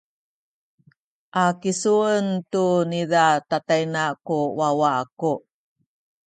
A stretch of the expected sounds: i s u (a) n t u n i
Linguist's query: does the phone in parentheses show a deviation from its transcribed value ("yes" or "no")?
yes